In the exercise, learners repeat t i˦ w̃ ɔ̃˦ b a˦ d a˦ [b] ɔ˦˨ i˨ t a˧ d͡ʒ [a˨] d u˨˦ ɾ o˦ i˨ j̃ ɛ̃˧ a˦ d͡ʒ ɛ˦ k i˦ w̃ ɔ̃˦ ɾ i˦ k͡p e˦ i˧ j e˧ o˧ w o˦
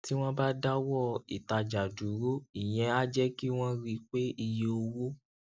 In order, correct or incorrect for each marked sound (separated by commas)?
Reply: incorrect, correct